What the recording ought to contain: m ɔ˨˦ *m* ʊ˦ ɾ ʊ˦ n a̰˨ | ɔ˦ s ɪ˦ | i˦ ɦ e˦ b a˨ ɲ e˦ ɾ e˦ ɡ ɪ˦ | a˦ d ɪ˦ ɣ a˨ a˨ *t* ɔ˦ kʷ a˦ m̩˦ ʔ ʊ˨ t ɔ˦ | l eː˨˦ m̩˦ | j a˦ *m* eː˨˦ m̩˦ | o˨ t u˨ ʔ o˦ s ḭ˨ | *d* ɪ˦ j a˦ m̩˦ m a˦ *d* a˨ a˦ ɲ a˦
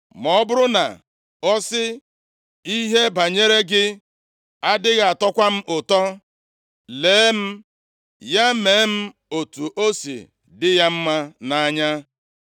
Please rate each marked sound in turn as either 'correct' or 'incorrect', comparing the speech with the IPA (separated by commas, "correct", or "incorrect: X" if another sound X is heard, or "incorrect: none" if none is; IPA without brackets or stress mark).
incorrect: b, correct, correct, correct, incorrect: n